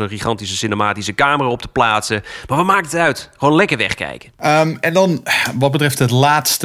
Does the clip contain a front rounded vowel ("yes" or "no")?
yes